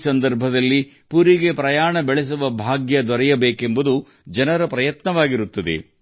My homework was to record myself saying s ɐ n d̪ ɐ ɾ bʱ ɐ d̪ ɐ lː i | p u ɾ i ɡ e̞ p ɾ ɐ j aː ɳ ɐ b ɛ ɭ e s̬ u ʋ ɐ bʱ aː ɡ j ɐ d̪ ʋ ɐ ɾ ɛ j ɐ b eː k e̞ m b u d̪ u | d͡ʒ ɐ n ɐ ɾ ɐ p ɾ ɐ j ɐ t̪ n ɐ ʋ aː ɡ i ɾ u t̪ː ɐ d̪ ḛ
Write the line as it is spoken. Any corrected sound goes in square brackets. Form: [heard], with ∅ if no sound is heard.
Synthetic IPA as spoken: s ɐ n d̪ ɐ ɾ bʱ ɐ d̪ ɐ lː i | p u ɾ i ɡ e̞ p ɾ ɐ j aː ɳ ɐ b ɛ ɭ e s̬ u ʋ ɐ bʱ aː ɡ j ɐ d̪ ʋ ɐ ɾ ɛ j ɐ b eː k e̞ m b u d̪ u | d͡ʒ ɐ n ɐ ɾ ɐ p ɾ ɐ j ɐ t̪ n ɐ ʋ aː ɡ i ɾ u t̪ː ɐ d̪ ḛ